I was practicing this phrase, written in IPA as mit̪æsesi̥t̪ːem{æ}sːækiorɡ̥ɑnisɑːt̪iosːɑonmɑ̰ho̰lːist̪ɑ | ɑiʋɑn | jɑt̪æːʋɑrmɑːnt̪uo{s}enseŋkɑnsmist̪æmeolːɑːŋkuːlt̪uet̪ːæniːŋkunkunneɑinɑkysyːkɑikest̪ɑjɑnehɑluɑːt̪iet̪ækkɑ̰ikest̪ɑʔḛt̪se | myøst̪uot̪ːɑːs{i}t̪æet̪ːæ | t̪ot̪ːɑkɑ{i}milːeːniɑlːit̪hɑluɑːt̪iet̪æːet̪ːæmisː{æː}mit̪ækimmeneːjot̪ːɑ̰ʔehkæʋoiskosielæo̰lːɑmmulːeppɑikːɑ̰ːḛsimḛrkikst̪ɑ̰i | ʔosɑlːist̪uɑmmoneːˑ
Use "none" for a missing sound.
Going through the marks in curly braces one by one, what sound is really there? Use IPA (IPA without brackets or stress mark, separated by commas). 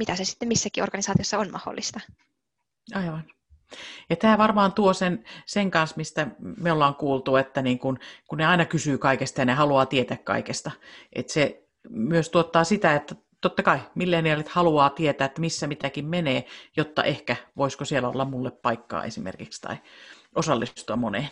i, s, i, i, æ